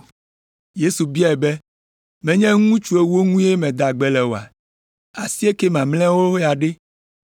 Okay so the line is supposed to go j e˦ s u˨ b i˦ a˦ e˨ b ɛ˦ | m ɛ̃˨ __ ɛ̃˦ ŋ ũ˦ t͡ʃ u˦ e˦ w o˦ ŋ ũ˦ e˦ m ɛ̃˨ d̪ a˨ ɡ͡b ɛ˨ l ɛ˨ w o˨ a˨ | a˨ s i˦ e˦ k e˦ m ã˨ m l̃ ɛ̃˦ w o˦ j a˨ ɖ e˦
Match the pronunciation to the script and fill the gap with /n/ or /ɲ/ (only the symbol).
ɲ